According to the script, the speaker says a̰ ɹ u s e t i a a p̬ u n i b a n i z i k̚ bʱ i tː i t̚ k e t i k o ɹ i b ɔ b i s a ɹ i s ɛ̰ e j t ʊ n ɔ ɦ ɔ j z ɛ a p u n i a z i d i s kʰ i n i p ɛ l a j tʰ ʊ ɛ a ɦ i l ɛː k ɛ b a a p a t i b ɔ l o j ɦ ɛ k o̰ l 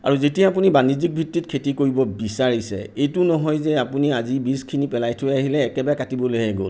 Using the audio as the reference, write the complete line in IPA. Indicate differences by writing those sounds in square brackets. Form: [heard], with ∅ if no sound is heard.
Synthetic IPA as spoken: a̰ ɹ u [z] e t i a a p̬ u n i b a n i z i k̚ bʱ i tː i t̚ [kʰ] e t i k o ɹ i b ɔ b i s a ɹ i s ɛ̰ e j t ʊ n ɔ ɦ ɔ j z ɛ a p u n i a z i [b] i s kʰ i n i p ɛ l a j tʰ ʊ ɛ a ɦ i l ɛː k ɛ b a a [k] a t i b ɔ l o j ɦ ɛ [ɡ] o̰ l